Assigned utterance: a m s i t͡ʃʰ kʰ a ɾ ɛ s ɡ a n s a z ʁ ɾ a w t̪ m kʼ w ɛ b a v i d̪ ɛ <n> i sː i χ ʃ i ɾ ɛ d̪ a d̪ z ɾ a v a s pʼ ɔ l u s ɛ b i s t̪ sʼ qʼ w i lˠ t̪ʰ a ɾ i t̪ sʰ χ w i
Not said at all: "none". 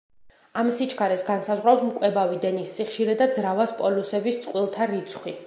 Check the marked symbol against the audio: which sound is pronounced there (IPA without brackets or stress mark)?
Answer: n